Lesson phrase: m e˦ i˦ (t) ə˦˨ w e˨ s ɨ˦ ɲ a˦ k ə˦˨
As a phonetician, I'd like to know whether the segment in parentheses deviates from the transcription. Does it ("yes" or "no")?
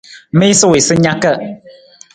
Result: yes